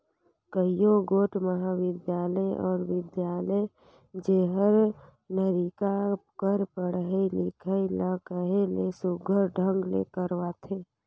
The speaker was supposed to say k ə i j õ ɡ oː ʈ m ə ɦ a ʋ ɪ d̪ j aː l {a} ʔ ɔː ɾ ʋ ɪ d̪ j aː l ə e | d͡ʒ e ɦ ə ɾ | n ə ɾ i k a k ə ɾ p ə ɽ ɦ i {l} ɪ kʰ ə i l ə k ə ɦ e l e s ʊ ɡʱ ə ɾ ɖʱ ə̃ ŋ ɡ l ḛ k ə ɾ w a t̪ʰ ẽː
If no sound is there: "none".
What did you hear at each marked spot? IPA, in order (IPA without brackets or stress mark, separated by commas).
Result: ə, l